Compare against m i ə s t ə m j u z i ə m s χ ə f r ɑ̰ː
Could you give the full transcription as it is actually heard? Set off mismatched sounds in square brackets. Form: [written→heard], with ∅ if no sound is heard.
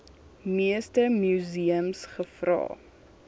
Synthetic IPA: m i ə s t ə m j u z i ə m s χ ə f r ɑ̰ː